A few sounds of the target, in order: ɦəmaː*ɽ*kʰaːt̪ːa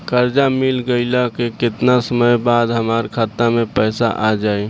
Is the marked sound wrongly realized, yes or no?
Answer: yes